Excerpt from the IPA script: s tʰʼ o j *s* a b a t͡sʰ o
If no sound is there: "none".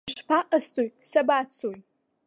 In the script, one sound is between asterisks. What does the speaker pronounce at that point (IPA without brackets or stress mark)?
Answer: s